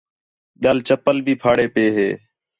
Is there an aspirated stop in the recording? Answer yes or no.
yes